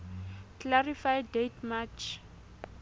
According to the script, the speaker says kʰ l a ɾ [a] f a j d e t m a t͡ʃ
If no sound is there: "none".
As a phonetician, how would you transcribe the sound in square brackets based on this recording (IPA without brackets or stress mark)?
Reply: i